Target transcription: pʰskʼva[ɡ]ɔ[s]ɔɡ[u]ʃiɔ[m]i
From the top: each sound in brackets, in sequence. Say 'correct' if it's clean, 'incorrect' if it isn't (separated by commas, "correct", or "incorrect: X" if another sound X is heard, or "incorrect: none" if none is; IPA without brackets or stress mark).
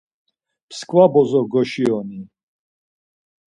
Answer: incorrect: b, incorrect: z, incorrect: ɔ, incorrect: n